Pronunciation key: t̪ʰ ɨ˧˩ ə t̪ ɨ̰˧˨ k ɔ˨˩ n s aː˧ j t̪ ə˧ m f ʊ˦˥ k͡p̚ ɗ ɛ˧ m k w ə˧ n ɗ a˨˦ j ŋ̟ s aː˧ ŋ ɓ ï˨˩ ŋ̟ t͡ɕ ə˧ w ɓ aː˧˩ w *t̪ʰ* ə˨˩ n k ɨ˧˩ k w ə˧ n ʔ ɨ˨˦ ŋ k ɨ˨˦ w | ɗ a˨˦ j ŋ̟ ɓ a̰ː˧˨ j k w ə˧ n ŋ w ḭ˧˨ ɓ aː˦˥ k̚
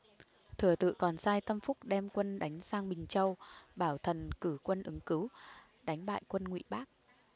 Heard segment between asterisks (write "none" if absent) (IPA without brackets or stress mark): t̪ʰ